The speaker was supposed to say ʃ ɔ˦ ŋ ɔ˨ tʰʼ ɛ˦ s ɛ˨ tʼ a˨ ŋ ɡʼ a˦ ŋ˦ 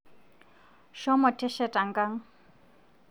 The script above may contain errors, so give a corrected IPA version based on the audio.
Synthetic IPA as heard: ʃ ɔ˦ m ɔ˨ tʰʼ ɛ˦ ʃ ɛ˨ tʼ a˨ ŋ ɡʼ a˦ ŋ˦